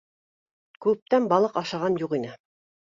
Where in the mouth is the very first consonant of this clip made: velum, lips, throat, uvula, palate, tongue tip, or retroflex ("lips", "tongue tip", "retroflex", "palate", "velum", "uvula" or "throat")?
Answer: velum